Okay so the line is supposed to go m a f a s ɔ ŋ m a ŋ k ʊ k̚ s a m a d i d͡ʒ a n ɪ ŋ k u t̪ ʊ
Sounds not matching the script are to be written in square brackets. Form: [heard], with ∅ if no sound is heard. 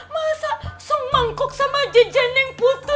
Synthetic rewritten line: m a [s] a s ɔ ŋ m a ŋ k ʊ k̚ s a m a [d͡ʒ] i d͡ʒ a n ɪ ŋ [p] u t̪ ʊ